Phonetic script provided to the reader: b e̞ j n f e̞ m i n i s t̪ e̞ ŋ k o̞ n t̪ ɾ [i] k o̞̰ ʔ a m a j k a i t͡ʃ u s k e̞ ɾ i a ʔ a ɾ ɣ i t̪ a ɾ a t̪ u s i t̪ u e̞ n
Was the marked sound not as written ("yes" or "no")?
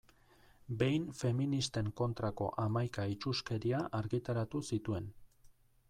yes